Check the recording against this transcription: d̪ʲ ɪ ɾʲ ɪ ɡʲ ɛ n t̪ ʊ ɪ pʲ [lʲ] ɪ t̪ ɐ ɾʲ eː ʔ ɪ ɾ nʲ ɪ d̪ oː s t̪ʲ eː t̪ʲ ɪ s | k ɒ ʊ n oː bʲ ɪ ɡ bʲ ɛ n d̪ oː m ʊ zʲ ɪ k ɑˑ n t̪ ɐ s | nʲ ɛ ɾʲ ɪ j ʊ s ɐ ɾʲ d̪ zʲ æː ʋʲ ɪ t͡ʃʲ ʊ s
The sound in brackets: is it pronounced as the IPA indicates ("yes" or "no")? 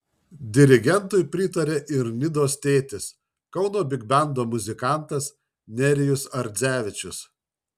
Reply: no